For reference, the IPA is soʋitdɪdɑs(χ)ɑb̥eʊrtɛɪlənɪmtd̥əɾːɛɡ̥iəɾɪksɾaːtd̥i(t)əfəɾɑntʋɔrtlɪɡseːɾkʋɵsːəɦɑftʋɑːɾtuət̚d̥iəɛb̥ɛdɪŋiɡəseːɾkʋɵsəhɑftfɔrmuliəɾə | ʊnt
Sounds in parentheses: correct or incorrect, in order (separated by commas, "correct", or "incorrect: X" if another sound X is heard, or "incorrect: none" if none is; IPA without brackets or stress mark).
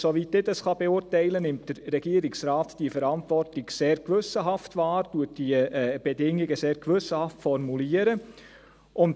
correct, incorrect: none